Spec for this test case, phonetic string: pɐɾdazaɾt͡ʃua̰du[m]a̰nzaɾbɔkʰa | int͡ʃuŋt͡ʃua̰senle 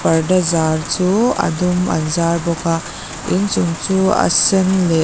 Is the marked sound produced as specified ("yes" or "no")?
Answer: yes